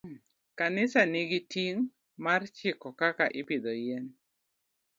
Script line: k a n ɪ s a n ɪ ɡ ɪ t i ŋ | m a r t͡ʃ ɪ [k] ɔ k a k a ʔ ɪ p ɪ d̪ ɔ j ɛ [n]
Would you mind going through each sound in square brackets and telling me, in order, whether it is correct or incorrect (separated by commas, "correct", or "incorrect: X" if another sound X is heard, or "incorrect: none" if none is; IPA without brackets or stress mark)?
correct, correct